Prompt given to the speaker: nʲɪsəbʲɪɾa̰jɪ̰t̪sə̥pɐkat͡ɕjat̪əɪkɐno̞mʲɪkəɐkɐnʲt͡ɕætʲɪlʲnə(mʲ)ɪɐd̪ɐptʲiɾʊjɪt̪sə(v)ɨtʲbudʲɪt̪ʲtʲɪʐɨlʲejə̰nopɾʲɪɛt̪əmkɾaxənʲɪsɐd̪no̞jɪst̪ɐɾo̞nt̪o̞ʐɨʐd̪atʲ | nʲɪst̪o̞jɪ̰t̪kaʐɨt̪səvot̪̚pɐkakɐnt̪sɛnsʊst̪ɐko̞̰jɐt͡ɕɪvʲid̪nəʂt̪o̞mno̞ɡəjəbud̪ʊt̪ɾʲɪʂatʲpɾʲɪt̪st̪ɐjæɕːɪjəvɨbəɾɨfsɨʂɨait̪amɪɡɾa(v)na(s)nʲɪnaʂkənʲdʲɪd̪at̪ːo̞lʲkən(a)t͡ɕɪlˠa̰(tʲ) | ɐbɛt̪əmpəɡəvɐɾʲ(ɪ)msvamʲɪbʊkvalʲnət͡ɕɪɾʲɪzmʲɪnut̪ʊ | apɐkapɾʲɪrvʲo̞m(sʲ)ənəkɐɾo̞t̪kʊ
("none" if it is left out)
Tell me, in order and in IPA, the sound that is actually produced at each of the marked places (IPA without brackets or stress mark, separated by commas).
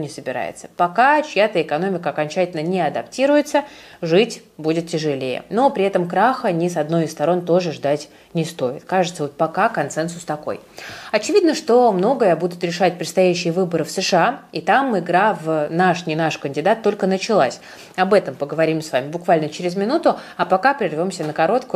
nʲ, ʐ, v, ʂ, ə, sʲ, i, sʲ